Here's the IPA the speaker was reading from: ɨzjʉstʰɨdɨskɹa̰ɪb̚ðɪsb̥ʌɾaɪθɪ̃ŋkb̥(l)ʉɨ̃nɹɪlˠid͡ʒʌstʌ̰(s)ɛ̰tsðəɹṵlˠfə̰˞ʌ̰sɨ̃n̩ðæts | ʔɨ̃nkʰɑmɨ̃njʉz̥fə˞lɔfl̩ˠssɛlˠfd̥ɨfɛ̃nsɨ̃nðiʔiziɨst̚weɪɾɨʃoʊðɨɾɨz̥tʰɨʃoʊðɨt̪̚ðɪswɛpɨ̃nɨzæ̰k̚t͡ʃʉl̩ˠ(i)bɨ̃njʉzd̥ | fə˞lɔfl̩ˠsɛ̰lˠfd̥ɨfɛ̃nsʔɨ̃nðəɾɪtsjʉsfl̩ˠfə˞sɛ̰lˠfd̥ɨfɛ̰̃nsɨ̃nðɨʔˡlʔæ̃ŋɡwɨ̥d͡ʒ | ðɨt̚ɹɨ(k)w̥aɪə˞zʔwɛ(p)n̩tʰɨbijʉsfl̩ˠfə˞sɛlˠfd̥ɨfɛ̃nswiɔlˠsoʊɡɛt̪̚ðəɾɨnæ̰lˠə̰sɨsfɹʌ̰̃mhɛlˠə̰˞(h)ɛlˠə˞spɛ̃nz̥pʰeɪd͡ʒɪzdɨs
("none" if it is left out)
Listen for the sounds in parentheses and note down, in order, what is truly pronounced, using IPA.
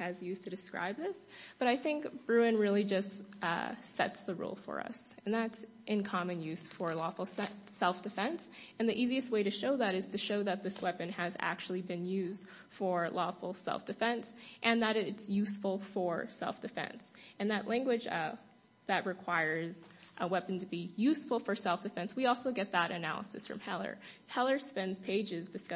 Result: ɹ, s, i, kʰ, p, h

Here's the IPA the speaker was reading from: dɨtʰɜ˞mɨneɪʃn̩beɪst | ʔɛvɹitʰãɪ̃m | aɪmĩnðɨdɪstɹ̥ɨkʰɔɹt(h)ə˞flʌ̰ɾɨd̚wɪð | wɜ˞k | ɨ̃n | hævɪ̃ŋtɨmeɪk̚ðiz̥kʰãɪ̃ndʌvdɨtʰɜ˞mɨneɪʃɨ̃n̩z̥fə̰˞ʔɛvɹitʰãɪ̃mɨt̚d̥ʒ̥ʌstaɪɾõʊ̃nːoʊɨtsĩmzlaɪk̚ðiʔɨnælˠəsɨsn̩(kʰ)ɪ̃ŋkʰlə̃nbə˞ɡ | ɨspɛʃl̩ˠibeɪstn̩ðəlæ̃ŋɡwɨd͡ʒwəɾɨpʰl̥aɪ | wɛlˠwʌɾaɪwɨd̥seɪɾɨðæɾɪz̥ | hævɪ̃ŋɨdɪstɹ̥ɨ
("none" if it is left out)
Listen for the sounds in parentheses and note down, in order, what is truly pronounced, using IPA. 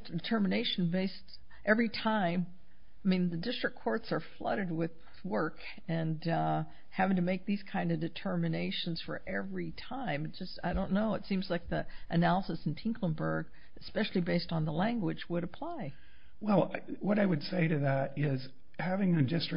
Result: s, tʰ

